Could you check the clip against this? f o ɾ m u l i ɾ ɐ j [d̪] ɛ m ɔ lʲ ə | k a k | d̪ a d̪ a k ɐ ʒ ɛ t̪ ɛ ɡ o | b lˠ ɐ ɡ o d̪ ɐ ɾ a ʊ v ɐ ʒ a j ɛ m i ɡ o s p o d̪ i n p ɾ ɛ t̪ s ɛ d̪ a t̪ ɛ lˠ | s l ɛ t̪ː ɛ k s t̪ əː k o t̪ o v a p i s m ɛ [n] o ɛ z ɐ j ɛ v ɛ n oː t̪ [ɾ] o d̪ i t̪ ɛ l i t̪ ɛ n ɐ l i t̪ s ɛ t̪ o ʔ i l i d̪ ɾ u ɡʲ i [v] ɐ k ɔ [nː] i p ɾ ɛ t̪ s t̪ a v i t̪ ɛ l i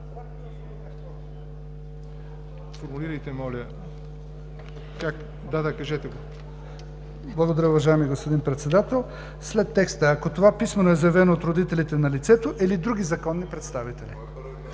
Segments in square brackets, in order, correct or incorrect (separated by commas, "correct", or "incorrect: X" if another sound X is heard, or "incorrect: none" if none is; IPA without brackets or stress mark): incorrect: t̪, correct, correct, incorrect: z, correct